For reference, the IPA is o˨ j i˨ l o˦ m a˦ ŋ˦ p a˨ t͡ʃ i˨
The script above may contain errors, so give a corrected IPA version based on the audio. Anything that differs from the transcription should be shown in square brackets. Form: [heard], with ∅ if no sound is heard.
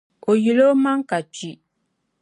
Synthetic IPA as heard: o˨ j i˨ l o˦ m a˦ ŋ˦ [k] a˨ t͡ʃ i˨